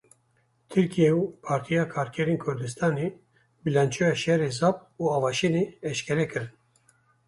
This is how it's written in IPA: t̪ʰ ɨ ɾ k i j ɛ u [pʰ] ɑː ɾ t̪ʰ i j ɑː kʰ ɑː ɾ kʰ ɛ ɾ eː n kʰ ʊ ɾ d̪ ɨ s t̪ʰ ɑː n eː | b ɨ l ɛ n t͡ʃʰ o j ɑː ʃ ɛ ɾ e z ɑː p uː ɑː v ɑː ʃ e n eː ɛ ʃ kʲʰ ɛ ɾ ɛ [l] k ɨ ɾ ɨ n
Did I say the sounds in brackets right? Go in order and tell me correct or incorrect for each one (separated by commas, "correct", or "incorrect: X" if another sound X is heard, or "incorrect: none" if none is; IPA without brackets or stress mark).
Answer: correct, incorrect: none